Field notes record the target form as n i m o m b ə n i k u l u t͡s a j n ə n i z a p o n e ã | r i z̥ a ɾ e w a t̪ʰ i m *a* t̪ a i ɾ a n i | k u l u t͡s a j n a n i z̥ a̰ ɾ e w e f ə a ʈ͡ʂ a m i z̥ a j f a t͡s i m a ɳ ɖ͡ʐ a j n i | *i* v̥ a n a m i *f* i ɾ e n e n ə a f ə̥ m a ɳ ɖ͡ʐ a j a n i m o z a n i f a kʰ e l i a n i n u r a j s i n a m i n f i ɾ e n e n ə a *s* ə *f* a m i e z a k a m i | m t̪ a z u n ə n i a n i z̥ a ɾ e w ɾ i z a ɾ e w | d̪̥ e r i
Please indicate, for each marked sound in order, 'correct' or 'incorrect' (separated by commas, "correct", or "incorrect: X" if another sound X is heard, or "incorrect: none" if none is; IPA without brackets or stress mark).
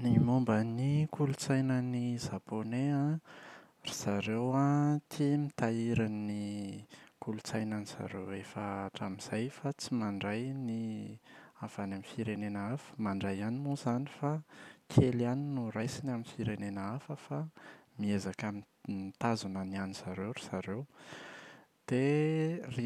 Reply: incorrect: i, incorrect: a, correct, incorrect: f, correct